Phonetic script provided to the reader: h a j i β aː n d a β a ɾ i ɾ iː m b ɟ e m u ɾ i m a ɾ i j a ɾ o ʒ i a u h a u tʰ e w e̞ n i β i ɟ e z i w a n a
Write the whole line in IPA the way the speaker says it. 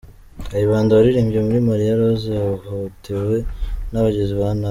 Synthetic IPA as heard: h a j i β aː n d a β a ɾ i ɾ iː m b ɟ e m u ɾ i m a ɾ i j a ɾ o z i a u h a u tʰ e w e̞ n a β a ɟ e z i β a n a